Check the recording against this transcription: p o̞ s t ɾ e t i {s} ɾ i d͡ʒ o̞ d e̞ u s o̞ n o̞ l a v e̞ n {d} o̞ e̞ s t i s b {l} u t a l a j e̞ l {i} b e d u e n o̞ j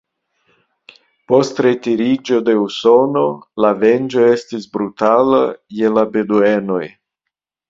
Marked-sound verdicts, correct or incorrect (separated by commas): incorrect, incorrect, incorrect, incorrect